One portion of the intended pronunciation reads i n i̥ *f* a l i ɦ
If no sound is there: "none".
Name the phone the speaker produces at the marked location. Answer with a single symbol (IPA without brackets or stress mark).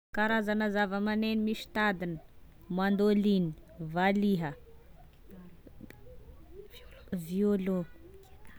v